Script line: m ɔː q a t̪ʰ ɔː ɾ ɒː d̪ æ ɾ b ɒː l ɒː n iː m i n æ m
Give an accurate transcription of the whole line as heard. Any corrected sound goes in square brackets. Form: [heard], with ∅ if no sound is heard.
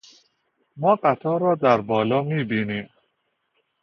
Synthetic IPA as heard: m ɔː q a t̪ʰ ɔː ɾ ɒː d̪ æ ɾ b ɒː l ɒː [m] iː [b] i n [i] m